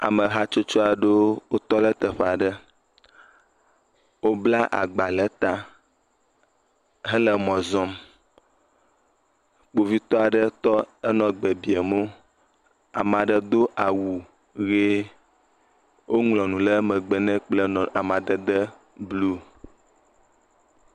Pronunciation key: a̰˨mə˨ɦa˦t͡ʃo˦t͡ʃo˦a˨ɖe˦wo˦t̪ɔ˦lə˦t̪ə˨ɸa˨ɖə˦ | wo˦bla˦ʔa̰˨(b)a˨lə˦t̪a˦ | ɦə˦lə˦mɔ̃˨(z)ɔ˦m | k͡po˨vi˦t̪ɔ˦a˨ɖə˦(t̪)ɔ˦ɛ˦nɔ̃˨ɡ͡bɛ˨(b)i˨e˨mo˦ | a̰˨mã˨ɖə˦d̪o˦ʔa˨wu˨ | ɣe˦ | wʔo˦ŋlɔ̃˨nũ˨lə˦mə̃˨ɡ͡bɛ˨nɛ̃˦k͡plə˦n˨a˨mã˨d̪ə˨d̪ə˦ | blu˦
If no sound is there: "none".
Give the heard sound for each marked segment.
ɡ͡b, z, t̪, b

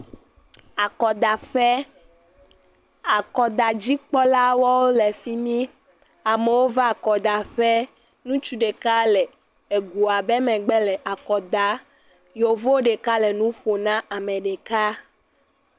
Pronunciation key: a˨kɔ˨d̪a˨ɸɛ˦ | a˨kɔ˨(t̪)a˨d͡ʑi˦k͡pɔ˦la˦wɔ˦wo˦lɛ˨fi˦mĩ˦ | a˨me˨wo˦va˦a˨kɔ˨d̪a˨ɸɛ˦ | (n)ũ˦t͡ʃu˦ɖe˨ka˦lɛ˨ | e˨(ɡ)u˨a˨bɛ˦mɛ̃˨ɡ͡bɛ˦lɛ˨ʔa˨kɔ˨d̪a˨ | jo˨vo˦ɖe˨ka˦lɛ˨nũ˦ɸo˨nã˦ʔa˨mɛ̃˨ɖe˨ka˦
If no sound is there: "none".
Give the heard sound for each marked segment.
d̪, n, ɡ

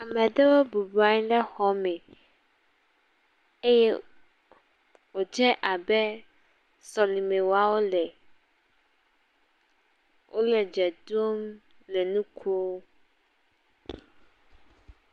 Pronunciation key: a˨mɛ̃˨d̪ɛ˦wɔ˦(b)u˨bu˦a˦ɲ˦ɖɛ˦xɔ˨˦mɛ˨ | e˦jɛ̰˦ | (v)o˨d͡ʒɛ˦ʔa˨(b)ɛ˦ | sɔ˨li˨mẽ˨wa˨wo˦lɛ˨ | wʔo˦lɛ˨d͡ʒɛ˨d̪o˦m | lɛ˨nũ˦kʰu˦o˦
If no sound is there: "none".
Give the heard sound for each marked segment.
b, w, b

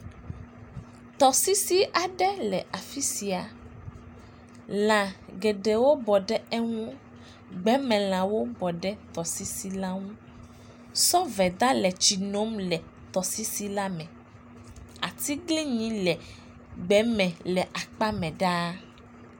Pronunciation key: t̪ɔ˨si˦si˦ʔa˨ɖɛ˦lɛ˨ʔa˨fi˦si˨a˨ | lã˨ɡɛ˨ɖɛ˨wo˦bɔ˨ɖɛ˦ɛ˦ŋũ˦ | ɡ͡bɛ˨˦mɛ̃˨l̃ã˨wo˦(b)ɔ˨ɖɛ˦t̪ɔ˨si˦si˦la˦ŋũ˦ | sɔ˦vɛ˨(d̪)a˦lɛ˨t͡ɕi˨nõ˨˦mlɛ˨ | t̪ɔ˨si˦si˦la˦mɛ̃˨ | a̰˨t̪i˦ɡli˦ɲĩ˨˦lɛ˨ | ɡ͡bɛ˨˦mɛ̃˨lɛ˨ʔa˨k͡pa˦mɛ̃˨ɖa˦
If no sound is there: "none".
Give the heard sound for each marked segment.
b, d̪

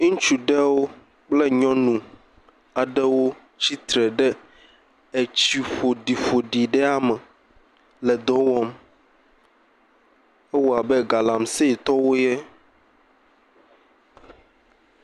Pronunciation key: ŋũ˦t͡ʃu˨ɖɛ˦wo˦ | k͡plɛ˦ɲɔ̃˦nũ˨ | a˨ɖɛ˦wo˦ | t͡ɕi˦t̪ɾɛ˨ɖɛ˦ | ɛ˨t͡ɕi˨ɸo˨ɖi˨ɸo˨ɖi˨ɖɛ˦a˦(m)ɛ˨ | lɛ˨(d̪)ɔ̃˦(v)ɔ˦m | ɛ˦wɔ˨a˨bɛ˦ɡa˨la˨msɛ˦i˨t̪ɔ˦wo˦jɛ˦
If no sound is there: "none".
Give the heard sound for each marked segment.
m, d̪, w

